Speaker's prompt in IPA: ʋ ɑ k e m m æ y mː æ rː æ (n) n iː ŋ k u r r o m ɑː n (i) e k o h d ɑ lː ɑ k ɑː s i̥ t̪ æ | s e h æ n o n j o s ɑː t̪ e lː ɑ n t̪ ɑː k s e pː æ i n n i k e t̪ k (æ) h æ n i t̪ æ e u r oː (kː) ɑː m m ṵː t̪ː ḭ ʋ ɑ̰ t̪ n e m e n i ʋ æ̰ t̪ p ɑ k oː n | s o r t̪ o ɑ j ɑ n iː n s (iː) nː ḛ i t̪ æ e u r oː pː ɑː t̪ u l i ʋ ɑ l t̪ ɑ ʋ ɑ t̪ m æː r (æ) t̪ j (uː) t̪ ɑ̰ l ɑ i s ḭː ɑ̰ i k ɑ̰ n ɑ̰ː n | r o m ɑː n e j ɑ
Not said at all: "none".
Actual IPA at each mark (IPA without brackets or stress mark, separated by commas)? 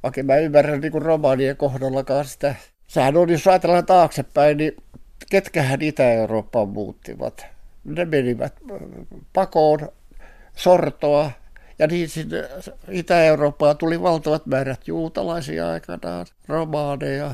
n, i, æ, pː, i, æ, uː